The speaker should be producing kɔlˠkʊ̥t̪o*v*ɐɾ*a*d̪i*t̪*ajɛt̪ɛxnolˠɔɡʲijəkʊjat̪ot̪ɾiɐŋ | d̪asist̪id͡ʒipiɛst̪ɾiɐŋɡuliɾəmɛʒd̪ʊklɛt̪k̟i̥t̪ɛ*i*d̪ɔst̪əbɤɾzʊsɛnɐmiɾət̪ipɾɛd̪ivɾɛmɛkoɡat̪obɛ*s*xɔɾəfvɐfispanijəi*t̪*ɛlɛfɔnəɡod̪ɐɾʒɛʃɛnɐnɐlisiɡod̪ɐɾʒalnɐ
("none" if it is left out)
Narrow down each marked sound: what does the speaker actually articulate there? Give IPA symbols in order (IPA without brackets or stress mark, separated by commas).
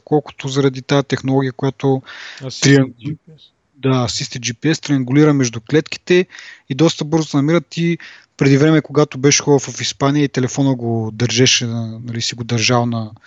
z, ɐ, t̪, i, ʃ, t̪